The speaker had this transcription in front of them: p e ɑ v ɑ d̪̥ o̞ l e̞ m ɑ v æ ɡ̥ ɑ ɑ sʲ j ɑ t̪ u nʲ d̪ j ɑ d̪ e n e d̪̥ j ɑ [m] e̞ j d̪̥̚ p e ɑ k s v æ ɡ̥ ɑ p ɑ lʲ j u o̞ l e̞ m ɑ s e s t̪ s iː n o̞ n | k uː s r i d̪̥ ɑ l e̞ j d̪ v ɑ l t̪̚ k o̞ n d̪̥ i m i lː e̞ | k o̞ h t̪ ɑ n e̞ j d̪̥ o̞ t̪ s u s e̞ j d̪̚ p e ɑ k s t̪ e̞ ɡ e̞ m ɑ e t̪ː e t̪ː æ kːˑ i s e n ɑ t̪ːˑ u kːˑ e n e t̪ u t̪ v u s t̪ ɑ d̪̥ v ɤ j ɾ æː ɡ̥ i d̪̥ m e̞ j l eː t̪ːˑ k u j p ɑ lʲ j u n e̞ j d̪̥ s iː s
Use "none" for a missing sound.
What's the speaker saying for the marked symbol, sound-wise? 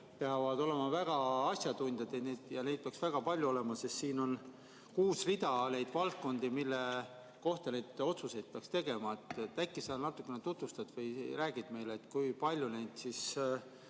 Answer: n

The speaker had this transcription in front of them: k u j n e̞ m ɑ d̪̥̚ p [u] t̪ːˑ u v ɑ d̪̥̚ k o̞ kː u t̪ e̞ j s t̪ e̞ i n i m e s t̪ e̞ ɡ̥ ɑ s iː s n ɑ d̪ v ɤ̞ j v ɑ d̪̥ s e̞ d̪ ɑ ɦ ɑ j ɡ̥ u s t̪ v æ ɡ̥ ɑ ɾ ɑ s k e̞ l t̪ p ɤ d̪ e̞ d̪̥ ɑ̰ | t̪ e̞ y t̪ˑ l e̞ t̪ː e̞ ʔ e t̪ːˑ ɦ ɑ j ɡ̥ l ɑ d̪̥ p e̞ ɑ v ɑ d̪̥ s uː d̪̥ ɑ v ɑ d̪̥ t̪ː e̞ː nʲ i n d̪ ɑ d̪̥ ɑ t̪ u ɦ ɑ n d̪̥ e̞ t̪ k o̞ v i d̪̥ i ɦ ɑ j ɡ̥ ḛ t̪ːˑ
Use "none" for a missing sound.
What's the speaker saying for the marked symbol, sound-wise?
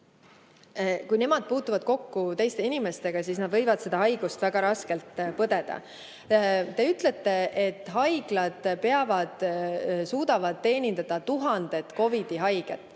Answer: uː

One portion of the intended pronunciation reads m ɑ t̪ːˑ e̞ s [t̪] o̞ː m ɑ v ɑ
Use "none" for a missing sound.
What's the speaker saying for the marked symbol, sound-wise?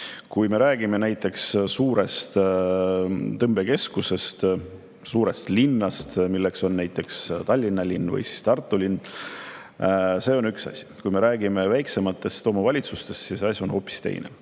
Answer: t̪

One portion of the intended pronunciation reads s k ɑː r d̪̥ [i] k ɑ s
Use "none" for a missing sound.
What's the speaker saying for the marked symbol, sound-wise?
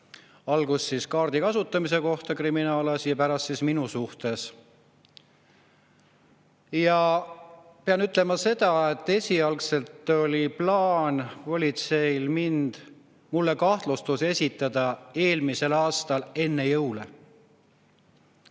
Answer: i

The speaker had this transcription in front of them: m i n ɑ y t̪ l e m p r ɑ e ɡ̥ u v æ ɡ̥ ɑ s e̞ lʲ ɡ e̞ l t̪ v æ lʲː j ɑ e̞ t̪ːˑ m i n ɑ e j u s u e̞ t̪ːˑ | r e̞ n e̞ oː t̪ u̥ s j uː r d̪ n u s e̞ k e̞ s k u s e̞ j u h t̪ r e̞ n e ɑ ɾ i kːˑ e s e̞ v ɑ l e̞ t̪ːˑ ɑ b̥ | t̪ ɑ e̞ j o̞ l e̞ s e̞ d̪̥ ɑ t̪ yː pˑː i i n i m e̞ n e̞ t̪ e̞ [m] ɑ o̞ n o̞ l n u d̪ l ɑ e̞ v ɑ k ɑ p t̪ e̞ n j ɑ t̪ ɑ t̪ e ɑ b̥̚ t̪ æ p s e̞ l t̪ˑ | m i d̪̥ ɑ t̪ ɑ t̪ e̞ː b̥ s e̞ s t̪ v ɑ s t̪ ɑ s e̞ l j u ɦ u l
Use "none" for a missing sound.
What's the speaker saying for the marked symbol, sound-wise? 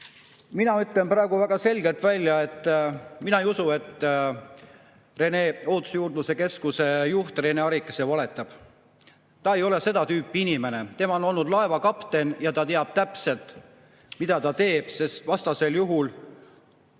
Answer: m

